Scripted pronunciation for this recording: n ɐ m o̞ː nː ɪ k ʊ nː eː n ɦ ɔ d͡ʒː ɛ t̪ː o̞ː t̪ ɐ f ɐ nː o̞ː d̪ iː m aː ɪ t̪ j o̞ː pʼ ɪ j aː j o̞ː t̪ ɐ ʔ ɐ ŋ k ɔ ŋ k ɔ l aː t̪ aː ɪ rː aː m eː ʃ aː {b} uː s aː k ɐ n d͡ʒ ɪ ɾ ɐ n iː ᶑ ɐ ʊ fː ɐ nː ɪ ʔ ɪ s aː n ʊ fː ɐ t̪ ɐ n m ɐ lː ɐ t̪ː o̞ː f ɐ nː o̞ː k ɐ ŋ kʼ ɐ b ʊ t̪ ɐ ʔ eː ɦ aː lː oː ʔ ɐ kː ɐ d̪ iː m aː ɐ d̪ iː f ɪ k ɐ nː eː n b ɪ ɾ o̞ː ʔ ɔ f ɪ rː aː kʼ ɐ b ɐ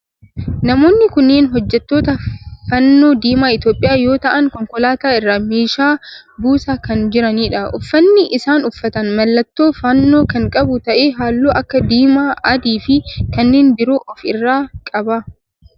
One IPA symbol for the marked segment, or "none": b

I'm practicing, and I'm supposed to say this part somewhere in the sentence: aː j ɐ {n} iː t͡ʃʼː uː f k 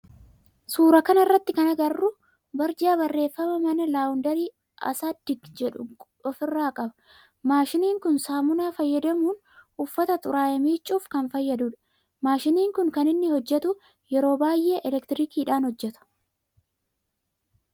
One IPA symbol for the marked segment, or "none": m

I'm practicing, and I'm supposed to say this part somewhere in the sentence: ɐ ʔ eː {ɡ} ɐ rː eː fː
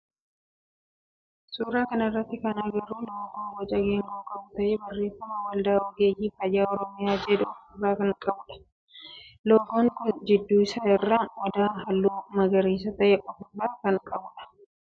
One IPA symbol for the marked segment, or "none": b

